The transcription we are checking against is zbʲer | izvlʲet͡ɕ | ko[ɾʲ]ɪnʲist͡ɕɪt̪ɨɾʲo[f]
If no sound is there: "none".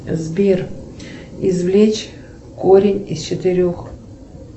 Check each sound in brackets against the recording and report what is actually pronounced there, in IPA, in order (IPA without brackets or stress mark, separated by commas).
ɾʲ, x